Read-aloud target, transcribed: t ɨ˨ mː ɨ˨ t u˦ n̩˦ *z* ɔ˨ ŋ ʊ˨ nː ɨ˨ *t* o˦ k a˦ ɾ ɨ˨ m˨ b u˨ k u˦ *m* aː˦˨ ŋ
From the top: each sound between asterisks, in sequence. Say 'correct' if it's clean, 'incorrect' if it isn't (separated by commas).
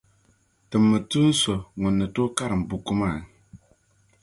incorrect, correct, correct